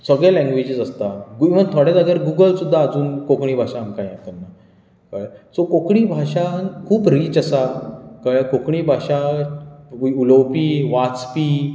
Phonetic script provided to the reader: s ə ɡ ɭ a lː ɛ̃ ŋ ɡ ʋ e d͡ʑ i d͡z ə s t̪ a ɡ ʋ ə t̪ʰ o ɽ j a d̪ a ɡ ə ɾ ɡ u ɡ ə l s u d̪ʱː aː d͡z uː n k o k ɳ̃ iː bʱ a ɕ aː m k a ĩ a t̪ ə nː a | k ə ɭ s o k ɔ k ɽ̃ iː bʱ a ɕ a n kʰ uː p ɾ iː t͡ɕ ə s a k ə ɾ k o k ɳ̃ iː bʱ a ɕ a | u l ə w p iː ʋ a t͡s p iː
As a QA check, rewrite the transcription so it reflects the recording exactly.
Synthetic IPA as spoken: s ə ɡ ɭ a l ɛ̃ ŋ ɡ ʋ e d͡ʑ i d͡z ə s t̪ a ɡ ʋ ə t̪ʰ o ɽ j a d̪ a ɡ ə ɾ ɡ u ɡ ə l s u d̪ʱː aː d͡z uː n k o k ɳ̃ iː bʱ a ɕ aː m k a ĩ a t̪ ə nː a | k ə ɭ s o k o k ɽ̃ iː bʱ a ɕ a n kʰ uː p ɾ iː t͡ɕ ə s a k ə ɭ k o k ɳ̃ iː bʱ a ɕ a | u l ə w p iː ʋ a t͡s p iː